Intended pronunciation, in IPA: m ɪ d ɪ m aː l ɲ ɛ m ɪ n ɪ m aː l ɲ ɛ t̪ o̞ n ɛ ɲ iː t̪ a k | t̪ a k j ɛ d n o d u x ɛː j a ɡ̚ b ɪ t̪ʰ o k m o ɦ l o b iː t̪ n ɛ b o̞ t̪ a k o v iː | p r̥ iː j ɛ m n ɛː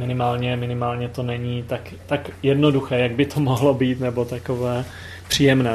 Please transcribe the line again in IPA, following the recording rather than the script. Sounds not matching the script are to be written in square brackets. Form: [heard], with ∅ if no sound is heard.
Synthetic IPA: m ɪ [n] ɪ m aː l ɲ ɛ m ɪ n ɪ m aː l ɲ ɛ t̪ o̞ n ɛ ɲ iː t̪ a k | t̪ a k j ɛ d n o d u x ɛː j a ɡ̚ b ɪ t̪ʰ o [∅] m o ɦ l o b iː t̪ n ɛ b o̞ t̪ a k o v [ɛː] | p r̥ iː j ɛ m n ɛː